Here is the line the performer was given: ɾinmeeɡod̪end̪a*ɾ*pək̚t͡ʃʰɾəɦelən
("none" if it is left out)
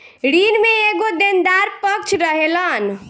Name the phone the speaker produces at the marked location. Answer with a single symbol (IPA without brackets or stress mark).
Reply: ɾ